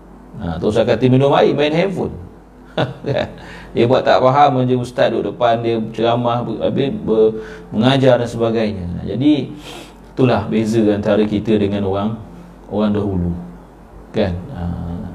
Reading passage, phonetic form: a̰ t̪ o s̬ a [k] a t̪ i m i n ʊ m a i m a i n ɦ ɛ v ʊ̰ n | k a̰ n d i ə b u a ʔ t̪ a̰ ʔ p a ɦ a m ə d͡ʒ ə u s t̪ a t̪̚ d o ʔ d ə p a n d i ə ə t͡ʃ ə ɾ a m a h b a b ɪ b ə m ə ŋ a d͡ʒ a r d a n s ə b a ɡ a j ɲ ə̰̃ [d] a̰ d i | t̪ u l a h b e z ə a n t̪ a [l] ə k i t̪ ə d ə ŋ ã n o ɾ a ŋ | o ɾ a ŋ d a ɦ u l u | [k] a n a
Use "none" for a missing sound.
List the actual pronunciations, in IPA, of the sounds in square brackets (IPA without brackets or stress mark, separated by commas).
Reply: k, d͡ʒ, ɾ, k